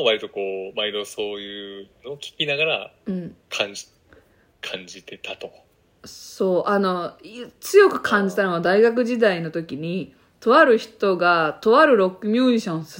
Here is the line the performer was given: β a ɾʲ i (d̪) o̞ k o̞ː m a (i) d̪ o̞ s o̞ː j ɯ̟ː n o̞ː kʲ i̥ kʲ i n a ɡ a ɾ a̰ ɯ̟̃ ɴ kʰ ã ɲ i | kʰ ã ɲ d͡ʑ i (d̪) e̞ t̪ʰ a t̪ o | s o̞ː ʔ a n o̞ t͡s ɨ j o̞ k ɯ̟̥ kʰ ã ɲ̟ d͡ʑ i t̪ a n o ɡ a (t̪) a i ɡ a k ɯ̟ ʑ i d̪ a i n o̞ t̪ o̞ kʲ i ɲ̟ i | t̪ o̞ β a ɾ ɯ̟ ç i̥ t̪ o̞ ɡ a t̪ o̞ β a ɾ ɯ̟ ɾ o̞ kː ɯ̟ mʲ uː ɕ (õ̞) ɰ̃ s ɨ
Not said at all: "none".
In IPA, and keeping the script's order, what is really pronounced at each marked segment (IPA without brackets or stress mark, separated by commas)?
t̪, i, t̪, d̪, õ̞